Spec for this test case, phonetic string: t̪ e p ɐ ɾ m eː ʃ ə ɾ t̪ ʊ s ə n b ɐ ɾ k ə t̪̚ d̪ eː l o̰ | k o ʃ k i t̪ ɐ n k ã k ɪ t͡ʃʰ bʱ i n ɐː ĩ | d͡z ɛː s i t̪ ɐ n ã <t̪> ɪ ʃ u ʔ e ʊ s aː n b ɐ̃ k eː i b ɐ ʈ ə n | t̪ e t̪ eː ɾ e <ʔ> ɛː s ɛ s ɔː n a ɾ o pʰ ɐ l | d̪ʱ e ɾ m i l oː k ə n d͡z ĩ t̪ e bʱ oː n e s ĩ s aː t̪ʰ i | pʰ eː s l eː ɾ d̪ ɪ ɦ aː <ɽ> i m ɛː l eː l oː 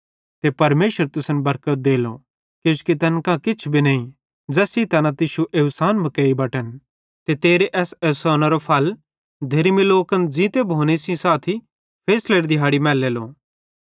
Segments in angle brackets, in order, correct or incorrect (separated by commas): correct, correct, correct